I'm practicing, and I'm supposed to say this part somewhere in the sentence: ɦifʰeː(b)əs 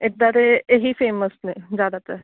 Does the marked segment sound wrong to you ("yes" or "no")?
yes